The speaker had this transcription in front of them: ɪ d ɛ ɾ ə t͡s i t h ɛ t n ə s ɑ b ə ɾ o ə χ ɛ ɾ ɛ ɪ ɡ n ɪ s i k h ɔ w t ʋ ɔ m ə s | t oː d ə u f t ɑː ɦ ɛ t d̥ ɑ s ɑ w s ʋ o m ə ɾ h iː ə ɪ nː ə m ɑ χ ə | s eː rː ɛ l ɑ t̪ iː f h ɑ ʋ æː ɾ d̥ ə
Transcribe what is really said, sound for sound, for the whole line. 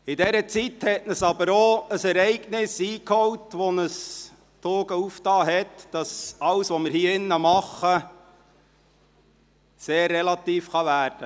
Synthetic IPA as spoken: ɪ d ɛ ɾ ə t͡s i t h ɛ t n ə s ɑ b ə ɾ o ə s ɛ ɾ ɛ ɪ ɡ n ɪ s iː k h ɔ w t ʋ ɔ n ə s | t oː ɡ ə u f t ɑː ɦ ɛ t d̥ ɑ s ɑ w s ʋ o m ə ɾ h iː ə ɪ nː ə m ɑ χ ə | s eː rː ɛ l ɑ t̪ iː f χ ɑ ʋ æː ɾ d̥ ə